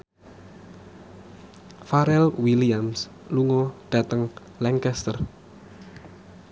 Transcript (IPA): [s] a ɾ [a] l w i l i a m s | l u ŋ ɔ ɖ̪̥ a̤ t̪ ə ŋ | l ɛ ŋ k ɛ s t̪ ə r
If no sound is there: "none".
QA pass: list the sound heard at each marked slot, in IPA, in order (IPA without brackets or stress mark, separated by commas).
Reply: f, ɛ